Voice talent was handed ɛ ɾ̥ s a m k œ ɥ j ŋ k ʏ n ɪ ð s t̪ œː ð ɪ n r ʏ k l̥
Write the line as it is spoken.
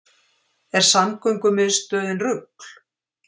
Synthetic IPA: ɛ ɾ̥ s a m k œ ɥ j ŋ k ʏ m ɪ ð s t̪ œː ð ɪ n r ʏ k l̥